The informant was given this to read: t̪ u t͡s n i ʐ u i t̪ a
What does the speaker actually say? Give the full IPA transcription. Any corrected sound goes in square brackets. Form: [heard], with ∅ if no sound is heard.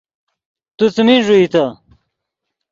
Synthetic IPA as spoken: t̪ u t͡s [m] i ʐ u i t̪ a